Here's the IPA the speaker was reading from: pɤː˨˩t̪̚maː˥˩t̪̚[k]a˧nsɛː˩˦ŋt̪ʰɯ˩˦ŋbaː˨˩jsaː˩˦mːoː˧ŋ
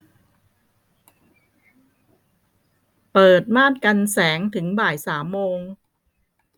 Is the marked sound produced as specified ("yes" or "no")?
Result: yes